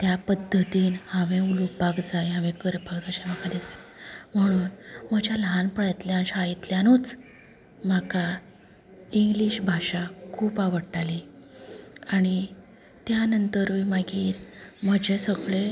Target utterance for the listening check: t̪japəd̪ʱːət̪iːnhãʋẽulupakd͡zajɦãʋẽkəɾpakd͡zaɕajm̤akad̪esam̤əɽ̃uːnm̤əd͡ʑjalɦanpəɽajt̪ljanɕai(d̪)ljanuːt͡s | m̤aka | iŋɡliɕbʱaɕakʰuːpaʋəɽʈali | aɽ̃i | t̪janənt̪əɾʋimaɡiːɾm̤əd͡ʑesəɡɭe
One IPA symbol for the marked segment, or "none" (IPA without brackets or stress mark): t̪